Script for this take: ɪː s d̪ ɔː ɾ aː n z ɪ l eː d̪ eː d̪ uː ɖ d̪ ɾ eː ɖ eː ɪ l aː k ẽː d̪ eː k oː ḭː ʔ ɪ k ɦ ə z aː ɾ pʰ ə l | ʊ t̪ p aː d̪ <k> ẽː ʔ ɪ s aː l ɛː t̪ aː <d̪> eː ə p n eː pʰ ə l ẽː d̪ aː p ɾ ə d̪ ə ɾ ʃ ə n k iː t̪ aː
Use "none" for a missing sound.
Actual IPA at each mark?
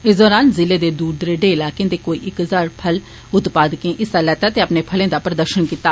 k, t̪

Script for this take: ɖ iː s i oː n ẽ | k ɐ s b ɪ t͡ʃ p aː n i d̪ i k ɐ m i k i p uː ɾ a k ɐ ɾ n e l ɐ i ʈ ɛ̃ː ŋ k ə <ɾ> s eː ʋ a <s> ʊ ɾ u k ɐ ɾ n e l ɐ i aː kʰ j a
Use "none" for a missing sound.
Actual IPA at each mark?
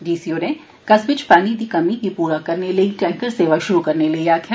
ɾ, ʃ

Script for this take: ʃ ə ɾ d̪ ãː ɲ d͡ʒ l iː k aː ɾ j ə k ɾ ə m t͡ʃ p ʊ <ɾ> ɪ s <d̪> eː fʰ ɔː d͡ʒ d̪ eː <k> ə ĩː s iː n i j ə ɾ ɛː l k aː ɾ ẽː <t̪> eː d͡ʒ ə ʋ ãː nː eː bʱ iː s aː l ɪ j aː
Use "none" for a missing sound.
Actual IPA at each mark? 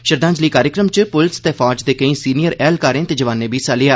l, t̪, k, t̪

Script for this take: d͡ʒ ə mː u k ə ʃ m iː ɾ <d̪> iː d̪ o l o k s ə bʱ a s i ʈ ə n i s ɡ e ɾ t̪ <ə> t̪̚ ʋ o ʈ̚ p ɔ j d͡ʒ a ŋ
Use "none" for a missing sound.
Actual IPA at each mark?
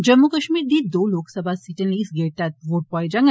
d̪, a

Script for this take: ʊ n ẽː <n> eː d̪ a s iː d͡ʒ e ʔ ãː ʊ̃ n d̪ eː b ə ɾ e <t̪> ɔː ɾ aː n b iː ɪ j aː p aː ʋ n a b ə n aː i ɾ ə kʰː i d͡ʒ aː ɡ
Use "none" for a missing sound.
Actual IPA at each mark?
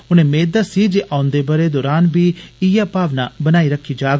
m, d̪

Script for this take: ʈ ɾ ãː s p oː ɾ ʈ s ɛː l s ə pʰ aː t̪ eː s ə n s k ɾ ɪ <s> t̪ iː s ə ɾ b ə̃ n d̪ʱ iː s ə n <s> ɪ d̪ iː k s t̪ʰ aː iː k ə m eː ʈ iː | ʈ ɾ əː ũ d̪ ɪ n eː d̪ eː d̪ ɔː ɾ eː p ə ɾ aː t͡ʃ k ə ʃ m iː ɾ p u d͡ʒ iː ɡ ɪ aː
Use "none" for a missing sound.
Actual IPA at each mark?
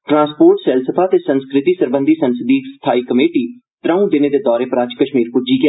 none, s

